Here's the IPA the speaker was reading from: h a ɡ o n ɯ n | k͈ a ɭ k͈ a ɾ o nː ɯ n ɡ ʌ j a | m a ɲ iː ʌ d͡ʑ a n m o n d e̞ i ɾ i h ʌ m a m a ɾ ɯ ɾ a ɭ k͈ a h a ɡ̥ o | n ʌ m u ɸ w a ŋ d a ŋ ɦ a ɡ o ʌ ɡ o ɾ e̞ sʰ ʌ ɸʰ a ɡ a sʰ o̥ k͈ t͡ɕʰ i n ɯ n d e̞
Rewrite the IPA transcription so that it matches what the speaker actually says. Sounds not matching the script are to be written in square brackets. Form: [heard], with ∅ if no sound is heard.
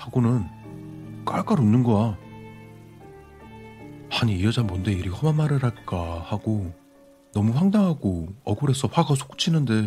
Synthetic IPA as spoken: h a ɡ o n ɯ n | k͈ a ɭ k͈ a ɾ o nː ɯ n ɡ ʌ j a | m a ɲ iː ʌ d͡ʑ a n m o n d e̞ i ɾ i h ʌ m a m a ɾ ɯ ɾ a ɭ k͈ a h a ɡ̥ o | n ʌ m u ɸ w a ŋ d a ŋ ɦ a ɡ o ʌ ɡ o ɾ e̞ sʰ ʌ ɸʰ a ɡ a sʰ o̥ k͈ t͡ɕʰ i n ɯ n d e̞